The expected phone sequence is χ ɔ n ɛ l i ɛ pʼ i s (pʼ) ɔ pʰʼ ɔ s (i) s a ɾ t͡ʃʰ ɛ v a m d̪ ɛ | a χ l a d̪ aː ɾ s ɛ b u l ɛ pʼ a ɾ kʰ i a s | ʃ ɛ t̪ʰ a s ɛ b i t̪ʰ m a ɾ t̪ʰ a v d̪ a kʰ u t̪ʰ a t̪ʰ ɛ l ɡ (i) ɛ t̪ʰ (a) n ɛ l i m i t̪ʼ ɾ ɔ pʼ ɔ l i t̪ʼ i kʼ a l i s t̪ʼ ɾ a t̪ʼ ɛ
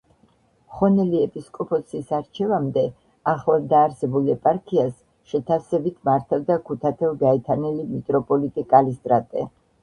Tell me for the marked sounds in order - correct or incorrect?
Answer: incorrect, correct, incorrect, correct

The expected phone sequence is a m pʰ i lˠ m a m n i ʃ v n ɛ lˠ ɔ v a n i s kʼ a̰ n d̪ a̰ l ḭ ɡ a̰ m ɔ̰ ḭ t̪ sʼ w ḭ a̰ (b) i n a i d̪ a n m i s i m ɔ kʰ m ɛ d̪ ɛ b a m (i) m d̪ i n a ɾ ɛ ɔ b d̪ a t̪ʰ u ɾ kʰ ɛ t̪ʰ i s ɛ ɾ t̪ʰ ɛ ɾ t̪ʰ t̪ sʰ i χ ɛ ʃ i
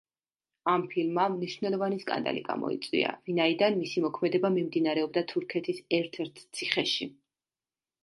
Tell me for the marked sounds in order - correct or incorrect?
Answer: incorrect, correct

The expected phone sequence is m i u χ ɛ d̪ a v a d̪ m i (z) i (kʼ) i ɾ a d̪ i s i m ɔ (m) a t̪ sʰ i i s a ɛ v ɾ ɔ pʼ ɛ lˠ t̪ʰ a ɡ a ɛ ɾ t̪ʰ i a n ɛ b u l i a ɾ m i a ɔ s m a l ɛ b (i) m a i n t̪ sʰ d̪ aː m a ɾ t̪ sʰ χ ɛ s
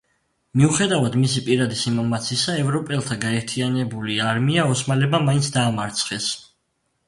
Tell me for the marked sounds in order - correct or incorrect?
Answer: incorrect, incorrect, correct, incorrect

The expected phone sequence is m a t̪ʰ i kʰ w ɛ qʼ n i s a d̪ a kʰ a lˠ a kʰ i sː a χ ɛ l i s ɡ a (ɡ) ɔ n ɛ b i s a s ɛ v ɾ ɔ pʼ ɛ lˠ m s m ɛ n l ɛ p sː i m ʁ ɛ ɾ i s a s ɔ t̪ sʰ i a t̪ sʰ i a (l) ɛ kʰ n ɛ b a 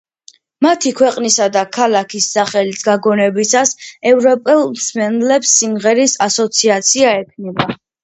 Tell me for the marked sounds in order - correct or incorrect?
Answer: correct, incorrect

